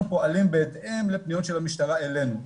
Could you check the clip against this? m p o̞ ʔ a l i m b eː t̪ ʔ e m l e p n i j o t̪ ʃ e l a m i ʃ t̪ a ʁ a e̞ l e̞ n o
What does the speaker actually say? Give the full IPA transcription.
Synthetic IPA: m p o̞ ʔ a l i m b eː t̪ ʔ e m l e p n i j o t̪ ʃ e l a m i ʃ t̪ a ʁ a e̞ l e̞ n u

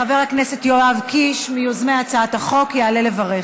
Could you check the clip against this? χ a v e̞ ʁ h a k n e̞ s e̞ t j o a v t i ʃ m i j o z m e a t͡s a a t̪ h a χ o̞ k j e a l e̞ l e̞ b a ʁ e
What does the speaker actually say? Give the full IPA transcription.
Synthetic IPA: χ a v e̞ ʁ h a k n e̞ s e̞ t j o a v k i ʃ m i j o z m e a t͡s a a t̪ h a χ o̞ k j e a l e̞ l e̞ v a ʁ e

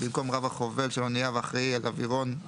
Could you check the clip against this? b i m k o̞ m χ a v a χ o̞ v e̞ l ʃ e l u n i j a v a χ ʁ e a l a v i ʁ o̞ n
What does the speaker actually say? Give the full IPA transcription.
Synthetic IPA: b i m k o̞ m ʁ a v a χ o̞ v e̞ l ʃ e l o n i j a v a χ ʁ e a l a v i ʁ o̞ n

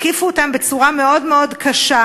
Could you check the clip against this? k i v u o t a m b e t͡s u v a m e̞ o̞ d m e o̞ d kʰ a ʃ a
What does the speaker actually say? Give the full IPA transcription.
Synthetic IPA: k i f u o t a m b e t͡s u ʁ a m e̞ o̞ d m e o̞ d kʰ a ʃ a

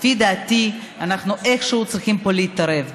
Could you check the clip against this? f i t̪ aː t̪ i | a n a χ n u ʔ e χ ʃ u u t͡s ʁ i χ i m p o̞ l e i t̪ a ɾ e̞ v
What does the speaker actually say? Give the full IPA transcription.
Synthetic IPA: f i d̪ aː t̪ i | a n a χ n u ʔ e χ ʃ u u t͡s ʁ i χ i m p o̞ l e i t̪ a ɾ e̞ v

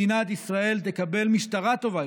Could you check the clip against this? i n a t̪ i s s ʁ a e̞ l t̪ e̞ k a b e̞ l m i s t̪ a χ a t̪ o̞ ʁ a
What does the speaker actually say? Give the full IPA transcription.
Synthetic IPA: i n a t̪ i s s ʁ a e̞ l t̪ e̞ k a b e̞ l m i ʃ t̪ a ʁ a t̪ o̞ v a

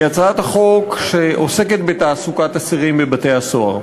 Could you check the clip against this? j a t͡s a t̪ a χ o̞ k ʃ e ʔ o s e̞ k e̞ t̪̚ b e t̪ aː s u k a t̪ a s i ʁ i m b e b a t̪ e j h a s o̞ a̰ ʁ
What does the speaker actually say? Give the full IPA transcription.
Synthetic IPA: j a t͡s a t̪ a χ o̞ k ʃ e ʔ o s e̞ k e̞ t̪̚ b e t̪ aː s u k a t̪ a s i ʁ i m b e b a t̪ e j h a s o̞ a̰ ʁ

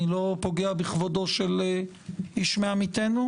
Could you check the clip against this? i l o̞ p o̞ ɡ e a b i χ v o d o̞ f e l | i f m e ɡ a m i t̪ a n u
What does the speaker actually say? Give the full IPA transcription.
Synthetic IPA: i l o̞ p o̞ ɡ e a b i χ v o d o̞ ʃ e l | i ʃ m e a m i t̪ e n u

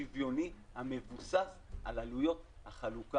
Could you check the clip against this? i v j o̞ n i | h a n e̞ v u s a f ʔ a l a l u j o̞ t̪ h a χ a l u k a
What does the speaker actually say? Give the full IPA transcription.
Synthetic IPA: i v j o̞ n i | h a m e̞ v u s a s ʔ a l a l u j o̞ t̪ h a χ a l u k a

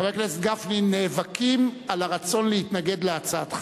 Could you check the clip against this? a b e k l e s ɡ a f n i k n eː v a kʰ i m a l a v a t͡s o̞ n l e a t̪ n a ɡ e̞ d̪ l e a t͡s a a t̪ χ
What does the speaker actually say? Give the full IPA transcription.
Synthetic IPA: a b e k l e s ɡ a f n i n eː v a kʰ i m a l a ʁ a t͡s o̞ n l e i t̪ n a ɡ e̞ d̪ l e a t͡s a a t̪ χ

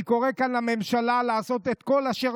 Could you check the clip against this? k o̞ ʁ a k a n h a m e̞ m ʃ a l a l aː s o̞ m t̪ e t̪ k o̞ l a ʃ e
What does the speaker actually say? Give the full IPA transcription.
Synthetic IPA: k o̞ ʁ e k a n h a m e̞ m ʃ a l a l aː s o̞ t̪ e t̪ k o̞ l a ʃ e

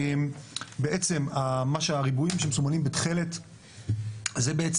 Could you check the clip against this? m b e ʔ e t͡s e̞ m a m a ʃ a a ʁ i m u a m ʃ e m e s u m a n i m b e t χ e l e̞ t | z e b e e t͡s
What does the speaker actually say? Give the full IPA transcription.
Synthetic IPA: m b e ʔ e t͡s e̞ m a m a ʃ e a ʁ i b u i m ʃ e m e s u m a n i m b e t χ e l e̞ t | z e b e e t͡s

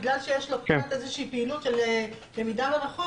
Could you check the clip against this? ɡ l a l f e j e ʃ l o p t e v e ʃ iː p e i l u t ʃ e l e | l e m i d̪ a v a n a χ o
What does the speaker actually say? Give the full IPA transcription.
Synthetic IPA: ɡ l a l ʃ e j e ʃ l o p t e z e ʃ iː p e i l u t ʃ e l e | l e m i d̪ a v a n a χ o

